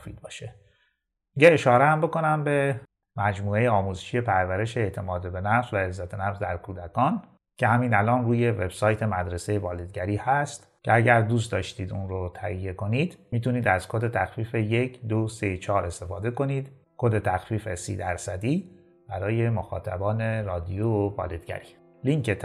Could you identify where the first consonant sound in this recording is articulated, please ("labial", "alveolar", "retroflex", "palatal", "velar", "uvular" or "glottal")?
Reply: labial